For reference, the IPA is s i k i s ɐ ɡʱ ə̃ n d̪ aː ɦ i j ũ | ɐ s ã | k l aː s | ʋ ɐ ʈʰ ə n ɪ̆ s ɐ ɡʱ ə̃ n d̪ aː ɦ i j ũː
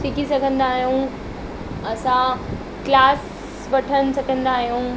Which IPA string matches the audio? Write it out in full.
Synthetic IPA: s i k i s ɐ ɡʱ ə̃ n d̪ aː ɦ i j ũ | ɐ s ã | k l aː s | ʋ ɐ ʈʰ ə n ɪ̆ s ɐ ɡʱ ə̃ n d̪ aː ɦ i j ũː

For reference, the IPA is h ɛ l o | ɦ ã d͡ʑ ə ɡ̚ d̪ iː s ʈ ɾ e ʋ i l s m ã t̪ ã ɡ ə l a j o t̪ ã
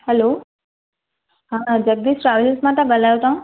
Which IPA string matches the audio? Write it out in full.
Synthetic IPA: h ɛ l o | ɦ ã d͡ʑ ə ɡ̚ d̪ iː s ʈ ɾ a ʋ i l s m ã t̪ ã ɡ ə l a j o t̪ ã

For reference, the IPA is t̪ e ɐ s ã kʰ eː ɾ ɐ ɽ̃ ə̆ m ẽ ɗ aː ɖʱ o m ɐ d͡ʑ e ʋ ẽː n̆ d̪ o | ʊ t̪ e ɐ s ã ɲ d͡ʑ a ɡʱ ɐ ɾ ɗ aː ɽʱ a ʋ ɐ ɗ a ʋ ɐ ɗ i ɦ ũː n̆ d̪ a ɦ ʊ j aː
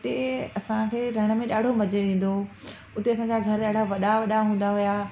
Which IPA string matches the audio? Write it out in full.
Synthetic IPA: t̪ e ɐ s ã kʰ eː ɾ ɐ ɽ̃ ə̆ m ẽ ɗ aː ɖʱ o m ɐ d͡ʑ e ʋ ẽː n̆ d̪ o | ʊ t̪ e ɐ s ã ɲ d͡ʑ a ɡʱ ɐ ɾ ɗ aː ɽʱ a ʋ ɐ ɗ a ʋ ɐ ɗ a ɦ ũː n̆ d̪ a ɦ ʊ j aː

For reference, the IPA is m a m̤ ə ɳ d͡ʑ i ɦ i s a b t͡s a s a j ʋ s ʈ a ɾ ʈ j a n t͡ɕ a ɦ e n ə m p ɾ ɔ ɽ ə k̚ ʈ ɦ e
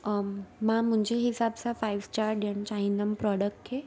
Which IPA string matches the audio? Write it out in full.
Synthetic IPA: m a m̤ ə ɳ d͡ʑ e ɦ i s a b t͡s a f a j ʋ s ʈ a ɾ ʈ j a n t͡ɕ a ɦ i n ə m p ɾ ɔ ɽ ə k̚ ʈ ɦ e

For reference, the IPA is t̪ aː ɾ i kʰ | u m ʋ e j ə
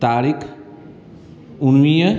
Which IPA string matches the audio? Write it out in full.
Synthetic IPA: t̪ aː ɾ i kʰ | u n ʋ i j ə

